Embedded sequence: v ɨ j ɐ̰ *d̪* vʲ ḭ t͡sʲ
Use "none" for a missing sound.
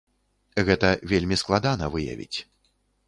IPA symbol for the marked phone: none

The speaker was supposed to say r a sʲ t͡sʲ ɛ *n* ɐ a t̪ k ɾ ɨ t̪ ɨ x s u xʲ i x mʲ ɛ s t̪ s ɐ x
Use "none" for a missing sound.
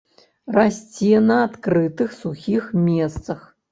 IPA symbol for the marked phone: n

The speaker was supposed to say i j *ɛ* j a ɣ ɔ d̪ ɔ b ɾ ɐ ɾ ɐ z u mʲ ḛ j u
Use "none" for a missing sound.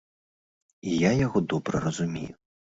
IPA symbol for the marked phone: a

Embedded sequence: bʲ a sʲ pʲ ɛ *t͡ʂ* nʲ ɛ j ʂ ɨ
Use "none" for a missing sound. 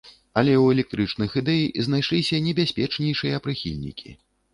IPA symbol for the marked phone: t͡ʂ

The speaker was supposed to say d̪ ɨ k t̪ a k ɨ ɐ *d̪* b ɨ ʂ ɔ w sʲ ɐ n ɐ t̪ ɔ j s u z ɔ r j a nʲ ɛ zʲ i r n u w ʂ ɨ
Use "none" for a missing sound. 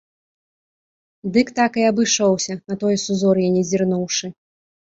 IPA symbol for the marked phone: none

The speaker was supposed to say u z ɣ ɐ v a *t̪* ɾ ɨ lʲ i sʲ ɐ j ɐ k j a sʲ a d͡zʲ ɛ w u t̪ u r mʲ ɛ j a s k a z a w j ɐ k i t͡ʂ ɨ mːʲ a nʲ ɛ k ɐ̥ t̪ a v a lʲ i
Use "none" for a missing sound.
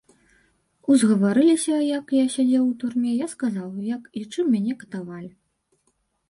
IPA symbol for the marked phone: none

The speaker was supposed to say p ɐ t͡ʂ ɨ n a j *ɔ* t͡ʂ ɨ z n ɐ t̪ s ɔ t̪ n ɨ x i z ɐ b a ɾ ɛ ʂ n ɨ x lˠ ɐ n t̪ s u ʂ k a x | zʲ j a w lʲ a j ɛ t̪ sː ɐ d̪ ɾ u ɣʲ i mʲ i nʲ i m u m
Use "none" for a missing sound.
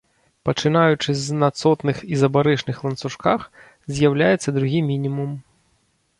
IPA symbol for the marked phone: u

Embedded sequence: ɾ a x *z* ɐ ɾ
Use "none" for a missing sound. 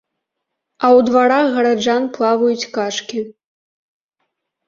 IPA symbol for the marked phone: ɣ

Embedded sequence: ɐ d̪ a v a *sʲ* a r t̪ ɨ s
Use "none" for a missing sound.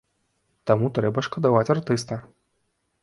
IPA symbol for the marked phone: t͡sʲ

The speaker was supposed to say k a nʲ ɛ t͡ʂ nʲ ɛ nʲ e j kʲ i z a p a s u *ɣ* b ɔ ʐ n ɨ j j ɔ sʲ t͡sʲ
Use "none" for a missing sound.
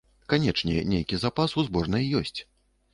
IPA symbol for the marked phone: z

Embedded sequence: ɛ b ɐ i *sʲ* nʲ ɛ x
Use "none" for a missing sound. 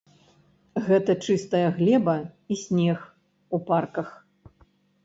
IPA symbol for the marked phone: sʲ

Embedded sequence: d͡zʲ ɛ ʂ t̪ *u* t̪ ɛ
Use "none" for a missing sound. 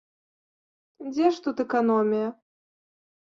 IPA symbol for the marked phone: u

